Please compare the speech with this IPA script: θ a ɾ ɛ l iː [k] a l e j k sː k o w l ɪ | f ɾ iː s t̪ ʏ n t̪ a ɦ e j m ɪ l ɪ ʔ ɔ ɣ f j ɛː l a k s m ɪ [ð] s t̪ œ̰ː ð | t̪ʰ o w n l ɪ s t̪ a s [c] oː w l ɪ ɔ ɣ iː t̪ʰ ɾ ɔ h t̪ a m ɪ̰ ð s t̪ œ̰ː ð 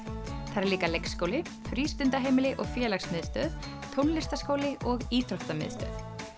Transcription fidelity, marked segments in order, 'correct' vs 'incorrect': correct, correct, incorrect: k

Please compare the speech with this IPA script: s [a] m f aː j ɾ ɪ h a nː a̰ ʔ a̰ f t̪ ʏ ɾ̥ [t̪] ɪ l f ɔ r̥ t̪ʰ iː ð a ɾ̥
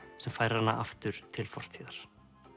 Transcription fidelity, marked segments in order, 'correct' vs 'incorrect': incorrect: ɛ, incorrect: t̪ʰ

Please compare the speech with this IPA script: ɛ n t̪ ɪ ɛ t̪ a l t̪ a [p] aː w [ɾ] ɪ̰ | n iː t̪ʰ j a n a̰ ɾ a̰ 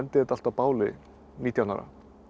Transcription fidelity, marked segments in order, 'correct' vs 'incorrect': correct, incorrect: l

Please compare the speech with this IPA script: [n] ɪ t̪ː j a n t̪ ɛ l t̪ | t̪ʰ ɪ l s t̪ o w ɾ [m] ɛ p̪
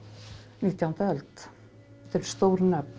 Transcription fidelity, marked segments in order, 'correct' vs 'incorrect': correct, incorrect: n

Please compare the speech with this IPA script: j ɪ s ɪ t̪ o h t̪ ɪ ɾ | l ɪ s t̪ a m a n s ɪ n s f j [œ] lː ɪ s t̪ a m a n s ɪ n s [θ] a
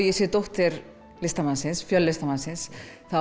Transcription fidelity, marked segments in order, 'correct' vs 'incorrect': correct, correct

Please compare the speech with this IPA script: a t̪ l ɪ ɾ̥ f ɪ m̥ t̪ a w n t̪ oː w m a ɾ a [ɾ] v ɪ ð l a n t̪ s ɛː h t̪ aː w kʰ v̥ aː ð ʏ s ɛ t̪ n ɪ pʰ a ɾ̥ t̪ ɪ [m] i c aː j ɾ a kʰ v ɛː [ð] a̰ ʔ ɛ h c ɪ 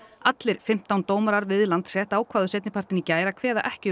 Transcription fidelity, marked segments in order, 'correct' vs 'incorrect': correct, incorrect: n, correct

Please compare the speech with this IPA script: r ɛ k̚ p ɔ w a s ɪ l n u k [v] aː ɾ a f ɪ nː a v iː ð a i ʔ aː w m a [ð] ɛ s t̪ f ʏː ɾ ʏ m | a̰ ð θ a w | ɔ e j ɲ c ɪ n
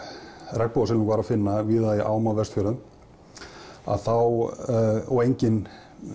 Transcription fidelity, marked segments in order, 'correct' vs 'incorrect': correct, incorrect: v

